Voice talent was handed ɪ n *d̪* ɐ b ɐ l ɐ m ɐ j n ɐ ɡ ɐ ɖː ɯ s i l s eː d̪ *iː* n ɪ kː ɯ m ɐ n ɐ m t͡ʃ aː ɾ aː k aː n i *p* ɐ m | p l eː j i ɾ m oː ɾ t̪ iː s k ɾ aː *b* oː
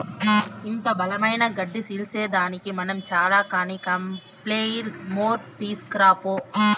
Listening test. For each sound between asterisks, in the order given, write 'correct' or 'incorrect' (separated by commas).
correct, incorrect, incorrect, incorrect